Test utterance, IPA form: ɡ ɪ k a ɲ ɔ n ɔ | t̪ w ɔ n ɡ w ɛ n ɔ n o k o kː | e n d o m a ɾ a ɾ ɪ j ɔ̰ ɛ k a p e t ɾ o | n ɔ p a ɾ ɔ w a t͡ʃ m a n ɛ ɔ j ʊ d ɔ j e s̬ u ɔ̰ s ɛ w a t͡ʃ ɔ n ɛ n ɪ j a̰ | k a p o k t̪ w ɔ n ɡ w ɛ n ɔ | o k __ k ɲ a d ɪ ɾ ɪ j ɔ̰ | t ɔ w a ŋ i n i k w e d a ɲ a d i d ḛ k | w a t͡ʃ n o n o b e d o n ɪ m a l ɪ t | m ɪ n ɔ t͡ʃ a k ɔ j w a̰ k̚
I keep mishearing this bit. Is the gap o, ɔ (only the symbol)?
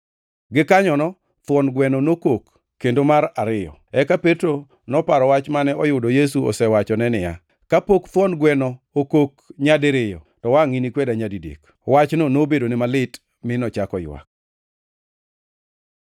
o